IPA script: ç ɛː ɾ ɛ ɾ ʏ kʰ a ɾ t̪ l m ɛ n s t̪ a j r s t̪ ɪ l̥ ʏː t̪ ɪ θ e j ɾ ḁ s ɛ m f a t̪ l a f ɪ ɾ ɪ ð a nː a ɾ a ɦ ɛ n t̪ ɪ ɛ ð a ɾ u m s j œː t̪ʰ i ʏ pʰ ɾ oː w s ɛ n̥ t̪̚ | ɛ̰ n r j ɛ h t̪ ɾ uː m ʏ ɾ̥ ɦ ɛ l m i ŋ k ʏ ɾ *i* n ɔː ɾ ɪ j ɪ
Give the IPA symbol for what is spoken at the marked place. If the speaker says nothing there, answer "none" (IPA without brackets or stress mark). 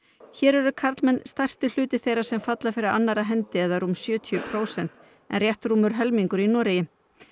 i